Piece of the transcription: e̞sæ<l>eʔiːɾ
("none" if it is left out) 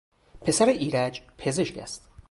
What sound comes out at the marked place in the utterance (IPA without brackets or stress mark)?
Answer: ɾ